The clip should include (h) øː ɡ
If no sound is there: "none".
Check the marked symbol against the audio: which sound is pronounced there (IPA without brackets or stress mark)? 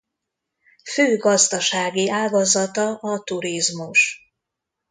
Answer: f